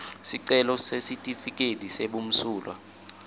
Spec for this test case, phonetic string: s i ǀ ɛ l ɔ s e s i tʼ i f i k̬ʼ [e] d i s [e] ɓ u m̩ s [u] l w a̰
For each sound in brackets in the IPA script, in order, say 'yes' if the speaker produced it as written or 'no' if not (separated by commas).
yes, yes, no